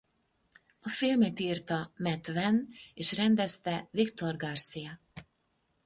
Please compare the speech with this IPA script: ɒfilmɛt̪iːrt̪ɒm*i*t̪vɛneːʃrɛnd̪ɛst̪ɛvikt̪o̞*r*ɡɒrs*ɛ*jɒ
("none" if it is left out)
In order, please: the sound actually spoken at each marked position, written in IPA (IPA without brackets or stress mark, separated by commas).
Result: ɛ, r, i